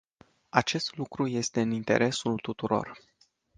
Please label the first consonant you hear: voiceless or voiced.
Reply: voiceless